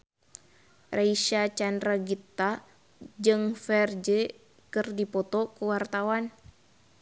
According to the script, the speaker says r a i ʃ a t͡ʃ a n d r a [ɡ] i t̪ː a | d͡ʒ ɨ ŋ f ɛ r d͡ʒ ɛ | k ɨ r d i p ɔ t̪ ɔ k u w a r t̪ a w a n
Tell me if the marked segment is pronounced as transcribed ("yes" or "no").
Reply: yes